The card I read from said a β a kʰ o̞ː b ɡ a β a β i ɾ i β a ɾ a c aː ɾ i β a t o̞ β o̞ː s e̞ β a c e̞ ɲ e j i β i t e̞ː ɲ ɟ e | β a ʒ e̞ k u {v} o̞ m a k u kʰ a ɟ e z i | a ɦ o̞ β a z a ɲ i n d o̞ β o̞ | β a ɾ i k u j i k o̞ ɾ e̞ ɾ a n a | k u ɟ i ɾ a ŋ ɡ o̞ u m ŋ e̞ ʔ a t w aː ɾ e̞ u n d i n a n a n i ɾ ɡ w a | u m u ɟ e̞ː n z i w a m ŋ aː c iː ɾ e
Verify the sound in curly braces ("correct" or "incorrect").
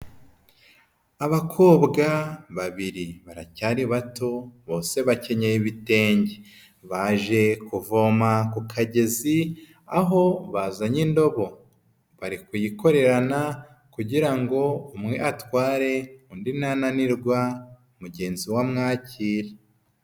correct